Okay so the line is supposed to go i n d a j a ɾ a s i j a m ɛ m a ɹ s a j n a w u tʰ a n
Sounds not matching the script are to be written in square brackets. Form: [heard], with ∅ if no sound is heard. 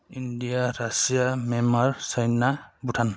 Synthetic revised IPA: i n d [i] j a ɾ a s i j a m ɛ m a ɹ s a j n a [b] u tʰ a n

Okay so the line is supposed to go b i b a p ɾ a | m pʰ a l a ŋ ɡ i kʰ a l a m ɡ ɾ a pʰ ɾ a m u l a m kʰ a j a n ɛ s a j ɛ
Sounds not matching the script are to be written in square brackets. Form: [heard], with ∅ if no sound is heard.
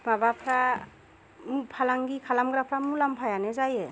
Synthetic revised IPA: b [a] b a [pʰ] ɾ a | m pʰ a l a ŋ ɡ i kʰ a l a m ɡ ɾ a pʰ ɾ a m u l a m [pʰ] a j a n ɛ [z] a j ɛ

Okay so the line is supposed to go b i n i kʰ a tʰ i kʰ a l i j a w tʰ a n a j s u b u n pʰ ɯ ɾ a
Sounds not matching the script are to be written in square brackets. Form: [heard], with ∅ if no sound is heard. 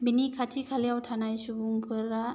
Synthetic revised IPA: b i n i kʰ a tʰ i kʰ a l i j a w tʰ a n a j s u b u [ŋ] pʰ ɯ ɾ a

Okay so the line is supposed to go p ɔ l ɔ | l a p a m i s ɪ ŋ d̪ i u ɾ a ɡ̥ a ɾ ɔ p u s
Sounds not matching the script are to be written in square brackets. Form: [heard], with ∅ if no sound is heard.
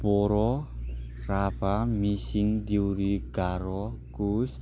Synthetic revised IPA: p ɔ [ɾ] ɔ | [r] a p a m i s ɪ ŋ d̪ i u ɾ [i] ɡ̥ a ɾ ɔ [k] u s

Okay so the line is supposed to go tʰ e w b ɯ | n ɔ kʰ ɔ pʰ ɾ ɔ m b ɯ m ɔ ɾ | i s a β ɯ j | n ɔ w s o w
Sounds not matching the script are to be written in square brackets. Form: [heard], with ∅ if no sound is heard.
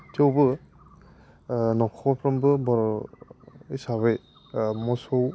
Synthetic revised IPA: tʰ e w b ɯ | n ɔ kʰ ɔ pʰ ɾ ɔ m b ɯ [b] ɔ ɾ | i s a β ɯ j | [m] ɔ [∅] s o w

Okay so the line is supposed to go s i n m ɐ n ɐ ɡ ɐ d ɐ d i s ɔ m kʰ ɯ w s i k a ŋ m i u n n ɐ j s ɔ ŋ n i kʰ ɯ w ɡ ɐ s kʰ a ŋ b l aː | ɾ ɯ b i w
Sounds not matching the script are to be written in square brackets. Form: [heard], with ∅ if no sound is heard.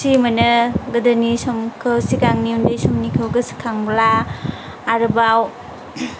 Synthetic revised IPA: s i [∅] m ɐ n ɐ ɡ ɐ d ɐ [n] i s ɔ m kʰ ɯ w s i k a ŋ [n] i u n [d] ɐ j s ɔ [m] n i kʰ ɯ w ɡ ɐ s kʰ a ŋ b l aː | ɾ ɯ b [a] w

